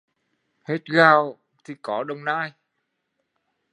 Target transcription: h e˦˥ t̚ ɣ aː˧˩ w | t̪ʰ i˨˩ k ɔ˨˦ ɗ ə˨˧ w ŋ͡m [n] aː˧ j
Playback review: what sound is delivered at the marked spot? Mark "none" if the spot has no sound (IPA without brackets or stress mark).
n